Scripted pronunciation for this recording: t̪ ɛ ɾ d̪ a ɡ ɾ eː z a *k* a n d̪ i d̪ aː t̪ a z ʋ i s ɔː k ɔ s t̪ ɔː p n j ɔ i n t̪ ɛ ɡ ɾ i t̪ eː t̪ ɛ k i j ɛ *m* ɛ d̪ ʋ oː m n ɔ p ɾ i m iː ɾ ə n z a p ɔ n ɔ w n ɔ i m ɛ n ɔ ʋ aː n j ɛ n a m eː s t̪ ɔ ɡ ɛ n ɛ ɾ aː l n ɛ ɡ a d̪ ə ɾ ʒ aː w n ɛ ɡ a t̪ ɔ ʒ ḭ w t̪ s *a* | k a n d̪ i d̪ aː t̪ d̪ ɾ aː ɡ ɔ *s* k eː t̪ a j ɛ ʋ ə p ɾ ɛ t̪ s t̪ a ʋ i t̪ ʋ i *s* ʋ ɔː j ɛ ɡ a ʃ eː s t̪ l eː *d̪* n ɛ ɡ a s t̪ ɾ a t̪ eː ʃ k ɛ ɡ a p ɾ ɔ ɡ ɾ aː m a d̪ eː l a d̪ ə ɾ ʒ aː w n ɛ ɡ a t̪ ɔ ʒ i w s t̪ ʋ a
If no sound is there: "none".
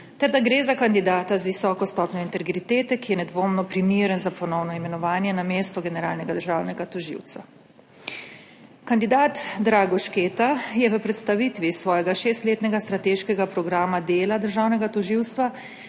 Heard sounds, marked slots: k, n, a, ʃ, s, t̪

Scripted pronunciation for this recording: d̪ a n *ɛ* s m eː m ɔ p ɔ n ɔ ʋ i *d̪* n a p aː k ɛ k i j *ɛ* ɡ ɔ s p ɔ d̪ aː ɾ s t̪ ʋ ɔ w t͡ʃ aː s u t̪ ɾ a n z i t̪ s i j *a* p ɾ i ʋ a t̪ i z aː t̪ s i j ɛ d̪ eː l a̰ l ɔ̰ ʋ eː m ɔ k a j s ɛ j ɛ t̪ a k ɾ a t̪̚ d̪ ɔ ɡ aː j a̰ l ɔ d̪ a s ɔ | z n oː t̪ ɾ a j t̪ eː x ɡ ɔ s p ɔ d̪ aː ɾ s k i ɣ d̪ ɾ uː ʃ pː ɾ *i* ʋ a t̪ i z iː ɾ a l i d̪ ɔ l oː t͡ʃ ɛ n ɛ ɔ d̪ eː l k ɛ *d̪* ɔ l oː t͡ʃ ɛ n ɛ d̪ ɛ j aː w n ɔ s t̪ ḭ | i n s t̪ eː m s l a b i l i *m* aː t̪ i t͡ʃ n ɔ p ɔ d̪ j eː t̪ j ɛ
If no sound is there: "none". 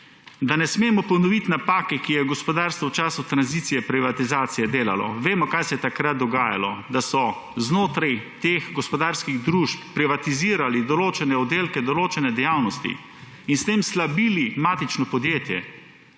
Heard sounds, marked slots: ɛ, t̪, ɛ, ɛ, i, d̪, m

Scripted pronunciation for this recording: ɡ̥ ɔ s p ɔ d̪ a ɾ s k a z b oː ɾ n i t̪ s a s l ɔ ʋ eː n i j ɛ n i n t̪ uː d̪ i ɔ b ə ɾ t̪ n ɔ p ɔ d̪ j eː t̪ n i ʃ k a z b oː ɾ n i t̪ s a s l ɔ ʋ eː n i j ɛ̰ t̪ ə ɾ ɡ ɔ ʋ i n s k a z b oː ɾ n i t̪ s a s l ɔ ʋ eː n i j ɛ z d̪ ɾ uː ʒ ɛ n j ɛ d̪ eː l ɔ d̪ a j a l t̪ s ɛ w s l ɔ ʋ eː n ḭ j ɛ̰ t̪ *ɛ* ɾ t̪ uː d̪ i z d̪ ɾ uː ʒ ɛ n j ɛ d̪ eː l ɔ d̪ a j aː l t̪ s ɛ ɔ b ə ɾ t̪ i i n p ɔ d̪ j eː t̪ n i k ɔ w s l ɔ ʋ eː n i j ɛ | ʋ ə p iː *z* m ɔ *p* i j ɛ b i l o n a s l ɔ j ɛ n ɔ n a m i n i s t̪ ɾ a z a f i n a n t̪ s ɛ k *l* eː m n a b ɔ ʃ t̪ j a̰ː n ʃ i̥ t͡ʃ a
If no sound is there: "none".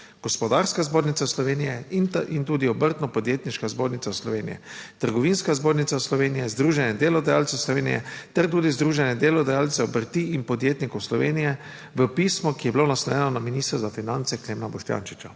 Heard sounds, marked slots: ɛ, s, k, l

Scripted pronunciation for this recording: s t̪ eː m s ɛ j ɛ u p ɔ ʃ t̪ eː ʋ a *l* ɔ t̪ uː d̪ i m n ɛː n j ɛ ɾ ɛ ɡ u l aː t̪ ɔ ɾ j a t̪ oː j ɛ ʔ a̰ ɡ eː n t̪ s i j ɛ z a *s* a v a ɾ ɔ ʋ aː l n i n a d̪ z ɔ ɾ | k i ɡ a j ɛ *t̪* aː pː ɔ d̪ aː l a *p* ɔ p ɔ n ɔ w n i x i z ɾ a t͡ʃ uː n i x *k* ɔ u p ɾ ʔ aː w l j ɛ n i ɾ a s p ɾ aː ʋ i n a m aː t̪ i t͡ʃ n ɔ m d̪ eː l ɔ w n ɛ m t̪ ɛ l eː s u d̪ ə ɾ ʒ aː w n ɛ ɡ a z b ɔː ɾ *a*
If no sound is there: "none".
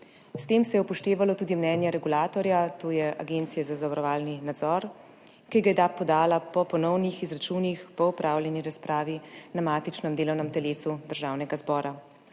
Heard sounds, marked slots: l, z, d̪, p, p, a

